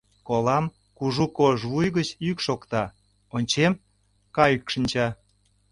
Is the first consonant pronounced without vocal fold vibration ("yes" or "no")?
yes